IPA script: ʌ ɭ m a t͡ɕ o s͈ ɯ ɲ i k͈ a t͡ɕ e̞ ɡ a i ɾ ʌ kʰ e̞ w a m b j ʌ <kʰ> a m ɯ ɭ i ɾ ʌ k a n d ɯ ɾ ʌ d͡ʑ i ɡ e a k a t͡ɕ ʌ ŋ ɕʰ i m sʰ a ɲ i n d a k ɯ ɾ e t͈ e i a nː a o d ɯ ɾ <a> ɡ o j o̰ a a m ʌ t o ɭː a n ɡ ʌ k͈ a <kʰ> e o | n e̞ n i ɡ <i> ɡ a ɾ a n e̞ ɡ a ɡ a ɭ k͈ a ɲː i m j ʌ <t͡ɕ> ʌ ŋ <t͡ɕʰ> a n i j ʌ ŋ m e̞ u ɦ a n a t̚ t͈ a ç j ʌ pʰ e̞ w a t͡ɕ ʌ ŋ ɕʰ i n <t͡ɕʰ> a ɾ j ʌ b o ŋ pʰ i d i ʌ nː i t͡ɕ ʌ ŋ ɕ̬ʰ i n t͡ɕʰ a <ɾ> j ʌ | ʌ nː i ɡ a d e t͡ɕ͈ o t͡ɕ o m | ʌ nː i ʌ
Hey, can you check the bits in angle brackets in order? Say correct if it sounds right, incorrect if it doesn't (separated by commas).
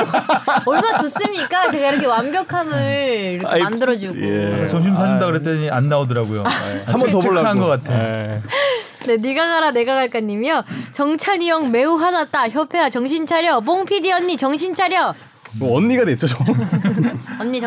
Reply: correct, correct, incorrect, incorrect, correct, correct, correct, correct